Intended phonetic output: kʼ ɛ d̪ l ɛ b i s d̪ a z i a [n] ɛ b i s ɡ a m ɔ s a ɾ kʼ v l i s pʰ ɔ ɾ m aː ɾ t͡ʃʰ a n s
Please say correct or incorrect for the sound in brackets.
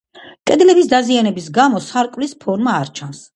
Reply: correct